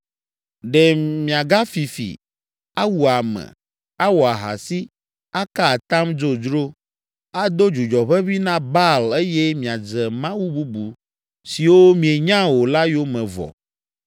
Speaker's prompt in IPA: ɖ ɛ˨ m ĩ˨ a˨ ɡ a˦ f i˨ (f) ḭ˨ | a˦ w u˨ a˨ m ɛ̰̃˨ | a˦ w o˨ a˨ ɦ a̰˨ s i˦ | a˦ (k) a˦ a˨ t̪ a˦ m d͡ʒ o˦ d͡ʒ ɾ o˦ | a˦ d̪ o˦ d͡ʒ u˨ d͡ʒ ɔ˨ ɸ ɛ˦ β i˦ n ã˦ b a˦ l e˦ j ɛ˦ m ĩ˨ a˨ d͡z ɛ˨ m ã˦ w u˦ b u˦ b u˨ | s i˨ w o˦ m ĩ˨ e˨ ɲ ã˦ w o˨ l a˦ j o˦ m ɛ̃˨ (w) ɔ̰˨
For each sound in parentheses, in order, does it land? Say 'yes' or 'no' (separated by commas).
yes, yes, no